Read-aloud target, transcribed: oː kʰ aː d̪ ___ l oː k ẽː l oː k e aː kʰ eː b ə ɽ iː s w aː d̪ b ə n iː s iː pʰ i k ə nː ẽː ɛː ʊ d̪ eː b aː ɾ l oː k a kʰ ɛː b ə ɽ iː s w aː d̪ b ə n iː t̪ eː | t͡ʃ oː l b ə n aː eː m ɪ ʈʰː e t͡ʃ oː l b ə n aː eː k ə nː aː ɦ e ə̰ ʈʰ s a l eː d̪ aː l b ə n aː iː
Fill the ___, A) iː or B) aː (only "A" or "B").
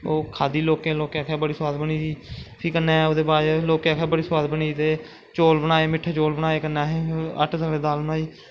A